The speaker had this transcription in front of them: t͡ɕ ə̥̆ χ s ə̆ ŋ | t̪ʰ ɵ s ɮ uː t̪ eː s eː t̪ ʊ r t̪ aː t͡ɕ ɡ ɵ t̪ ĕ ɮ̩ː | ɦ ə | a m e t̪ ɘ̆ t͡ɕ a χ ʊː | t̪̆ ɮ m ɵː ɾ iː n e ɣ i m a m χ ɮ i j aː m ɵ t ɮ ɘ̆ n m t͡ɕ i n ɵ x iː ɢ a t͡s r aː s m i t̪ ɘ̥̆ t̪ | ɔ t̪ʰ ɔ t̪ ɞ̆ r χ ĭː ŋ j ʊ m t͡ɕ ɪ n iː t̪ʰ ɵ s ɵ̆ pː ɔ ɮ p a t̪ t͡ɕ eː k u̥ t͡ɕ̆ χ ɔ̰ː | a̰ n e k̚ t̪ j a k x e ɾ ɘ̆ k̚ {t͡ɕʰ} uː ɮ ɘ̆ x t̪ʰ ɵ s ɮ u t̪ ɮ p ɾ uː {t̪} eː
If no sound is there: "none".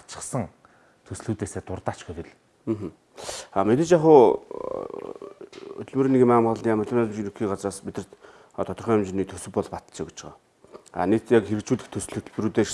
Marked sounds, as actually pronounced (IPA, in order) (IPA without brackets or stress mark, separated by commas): t͡ɕ, t̪